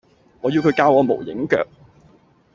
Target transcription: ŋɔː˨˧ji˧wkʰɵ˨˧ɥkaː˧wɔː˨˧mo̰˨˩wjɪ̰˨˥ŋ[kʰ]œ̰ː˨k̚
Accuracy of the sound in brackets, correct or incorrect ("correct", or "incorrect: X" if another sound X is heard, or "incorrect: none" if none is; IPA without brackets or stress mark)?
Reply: incorrect: k